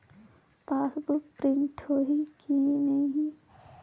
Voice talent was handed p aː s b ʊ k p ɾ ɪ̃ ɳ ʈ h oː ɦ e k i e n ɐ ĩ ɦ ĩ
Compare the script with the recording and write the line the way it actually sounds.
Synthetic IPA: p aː s b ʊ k p ɾ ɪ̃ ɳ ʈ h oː ɦ i k i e n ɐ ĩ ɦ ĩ